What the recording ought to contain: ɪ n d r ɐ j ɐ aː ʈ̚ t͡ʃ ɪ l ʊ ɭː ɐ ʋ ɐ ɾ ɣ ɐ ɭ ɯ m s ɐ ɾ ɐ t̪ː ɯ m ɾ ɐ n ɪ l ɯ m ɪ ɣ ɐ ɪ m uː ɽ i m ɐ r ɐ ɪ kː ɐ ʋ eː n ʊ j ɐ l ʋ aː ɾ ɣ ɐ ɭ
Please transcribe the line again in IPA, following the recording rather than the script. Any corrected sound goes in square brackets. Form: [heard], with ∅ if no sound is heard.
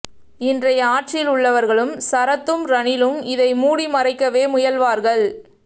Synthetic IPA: ɪ n d r ɐ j ɐ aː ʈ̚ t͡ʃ ɪ l ʊ ɭː ɐ ʋ ɐ ɾ ɣ ɐ ɭ ɯ m s ɐ ɾ ɐ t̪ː ɯ m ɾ ɐ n ɪ l ɯ m ɪ [ð] ɐ ɪ m uː ɽ i m ɐ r ɐ ɪ kː ɐ ʋ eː [m] ʊ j ɐ l ʋ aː ɾ ɣ ɐ ɭ

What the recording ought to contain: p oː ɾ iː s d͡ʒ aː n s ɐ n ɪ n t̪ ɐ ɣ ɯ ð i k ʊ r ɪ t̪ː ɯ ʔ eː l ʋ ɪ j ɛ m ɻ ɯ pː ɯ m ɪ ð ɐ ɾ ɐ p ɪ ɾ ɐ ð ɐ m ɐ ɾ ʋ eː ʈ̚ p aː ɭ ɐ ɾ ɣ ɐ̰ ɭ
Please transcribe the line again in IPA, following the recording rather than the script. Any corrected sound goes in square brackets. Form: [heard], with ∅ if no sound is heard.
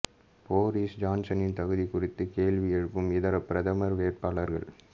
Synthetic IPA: p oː ɾ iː s d͡ʒ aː n s ɐ n ɪ n t̪ ɐ ɣ ɯ ð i k ʊ r ɪ t̪ː ɯ [k] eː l ʋ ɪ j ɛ [∅] ɻ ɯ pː ɯ m ɪ ð ɐ ɾ ɐ p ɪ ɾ ɐ ð ɐ m ɐ ɾ ʋ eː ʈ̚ p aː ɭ ɐ ɾ ɣ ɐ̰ ɭ

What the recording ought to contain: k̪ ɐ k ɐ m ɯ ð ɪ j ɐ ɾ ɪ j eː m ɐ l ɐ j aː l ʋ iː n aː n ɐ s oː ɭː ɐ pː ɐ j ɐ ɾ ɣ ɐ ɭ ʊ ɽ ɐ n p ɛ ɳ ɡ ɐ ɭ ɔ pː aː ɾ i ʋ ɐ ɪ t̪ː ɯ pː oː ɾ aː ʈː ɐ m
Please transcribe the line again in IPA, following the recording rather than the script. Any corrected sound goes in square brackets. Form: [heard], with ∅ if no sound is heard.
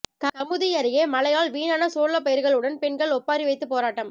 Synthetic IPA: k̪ ɐ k ɐ m ɯ ð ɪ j ɐ ɾ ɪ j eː m ɐ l ɐ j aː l ʋ iː n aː n ɐ s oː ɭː ɐ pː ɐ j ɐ ɾ ɣ ɐ ɭ [ɯ] ɽ ɐ n p ɛ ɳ ɡ ɐ ɭ ɔ pː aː ɾ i ʋ ɐ ɪ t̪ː ɯ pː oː ɾ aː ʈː ɐ m

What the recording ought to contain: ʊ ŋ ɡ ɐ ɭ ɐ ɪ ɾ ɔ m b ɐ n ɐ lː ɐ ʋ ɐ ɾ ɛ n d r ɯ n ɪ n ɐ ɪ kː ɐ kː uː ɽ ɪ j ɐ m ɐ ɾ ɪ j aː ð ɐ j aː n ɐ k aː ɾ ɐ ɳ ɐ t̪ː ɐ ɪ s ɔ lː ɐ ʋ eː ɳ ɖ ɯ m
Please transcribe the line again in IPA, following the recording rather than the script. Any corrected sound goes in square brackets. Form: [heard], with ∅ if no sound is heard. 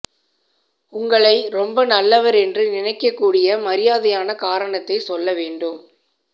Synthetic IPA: ʊ ŋ ɡ ɐ ɭ ɐ ɪ ɾ ɔ m b ɐ n ɐ lː ɐ ʋ ɐ ɾ ɛ n d r ɯ n ɪ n ɐ ɪ kː ɐ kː uː ɽ ɪ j ɐ m ɐ ɾ ɪ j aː ð ɐ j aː n ɐ k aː ɾ ɐ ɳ ɐ t̪ː ɐ ɪ s ɔ lː ɐ ʋ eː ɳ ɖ ɯ m

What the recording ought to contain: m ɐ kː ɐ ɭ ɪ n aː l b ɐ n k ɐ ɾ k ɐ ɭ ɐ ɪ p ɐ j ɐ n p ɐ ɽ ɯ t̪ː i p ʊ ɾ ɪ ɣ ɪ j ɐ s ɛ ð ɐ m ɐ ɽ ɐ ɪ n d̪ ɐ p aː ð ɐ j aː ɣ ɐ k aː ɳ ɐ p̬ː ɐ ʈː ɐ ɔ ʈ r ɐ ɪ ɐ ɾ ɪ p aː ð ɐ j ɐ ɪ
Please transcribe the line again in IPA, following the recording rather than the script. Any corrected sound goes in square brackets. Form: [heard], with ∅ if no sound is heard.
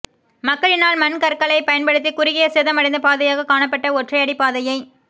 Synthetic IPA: m ɐ kː ɐ ɭ ɪ n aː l [m] ɐ n k ɐ ɾ k ɐ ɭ ɐ ɪ p ɐ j ɐ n p ɐ ɽ ɯ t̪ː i [k] ʊ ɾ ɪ ɣ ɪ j ɐ s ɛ ð ɐ m ɐ ɽ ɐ ɪ n d̪ ɐ p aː ð ɐ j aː ɣ ɐ k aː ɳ ɐ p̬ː ɐ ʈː ɐ ɔ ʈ r ɐ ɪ ɐ [ɽ] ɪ p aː ð ɐ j ɐ ɪ

